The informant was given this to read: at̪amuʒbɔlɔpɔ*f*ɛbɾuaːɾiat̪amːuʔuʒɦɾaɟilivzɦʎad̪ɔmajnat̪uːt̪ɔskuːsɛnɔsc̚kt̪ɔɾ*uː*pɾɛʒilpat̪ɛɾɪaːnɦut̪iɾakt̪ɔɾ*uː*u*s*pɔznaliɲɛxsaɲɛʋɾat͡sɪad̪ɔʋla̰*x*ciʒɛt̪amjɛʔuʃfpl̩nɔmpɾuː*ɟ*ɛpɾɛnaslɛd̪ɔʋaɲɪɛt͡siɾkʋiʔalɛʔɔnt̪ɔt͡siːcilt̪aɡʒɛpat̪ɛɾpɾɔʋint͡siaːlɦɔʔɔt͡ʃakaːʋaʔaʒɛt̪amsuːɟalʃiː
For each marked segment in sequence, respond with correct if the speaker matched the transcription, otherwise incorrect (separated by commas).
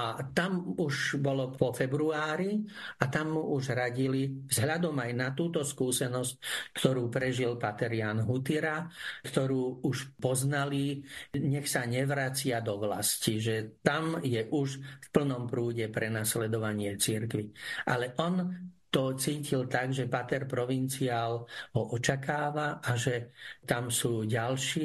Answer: correct, correct, correct, incorrect, incorrect, correct